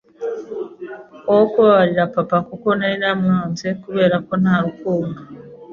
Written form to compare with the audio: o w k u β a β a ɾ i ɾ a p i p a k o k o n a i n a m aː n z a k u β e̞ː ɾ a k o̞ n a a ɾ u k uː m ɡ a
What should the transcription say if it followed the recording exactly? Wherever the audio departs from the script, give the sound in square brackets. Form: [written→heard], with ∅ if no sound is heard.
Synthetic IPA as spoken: o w k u β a β a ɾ i ɾ a p [i→a] p a k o k o n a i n a m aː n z [a→e] k u β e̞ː ɾ a k o̞ n a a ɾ u k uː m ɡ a